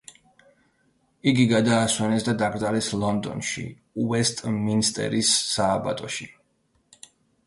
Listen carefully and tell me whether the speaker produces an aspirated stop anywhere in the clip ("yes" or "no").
no